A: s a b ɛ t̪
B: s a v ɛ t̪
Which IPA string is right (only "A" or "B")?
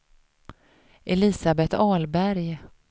A